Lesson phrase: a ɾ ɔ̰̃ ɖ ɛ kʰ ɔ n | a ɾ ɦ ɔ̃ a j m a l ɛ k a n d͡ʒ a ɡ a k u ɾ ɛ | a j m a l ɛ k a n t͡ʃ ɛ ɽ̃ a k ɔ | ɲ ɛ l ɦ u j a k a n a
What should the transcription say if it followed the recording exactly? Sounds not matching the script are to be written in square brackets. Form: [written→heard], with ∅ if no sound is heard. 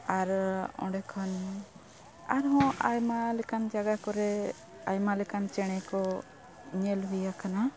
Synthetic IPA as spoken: a ɾ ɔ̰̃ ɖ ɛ kʰ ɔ n | a ɾ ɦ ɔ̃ a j m a l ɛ k a n d͡ʒ a ɡ a k [u→ɔ] ɾ ɛ | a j m a l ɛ k a n t͡ʃ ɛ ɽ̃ [a→ɛ] k ɔ | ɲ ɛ l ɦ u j a k a n a